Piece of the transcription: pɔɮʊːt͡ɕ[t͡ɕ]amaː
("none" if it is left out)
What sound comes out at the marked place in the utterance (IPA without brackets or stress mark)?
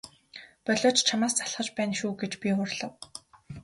t͡ɕʰ